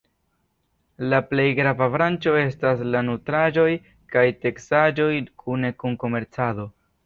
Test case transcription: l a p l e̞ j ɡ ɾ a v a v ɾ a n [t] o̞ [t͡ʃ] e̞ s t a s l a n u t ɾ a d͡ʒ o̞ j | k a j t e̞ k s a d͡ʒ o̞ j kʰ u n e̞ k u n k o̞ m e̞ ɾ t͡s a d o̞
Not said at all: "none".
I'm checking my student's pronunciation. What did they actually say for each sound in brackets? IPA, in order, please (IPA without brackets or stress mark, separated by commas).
t͡ʃ, none